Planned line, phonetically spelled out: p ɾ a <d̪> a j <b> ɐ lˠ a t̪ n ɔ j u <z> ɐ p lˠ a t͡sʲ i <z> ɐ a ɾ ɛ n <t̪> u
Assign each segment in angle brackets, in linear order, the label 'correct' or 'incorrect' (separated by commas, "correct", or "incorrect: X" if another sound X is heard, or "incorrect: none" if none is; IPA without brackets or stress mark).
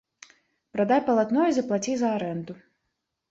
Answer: correct, incorrect: p, correct, correct, incorrect: d̪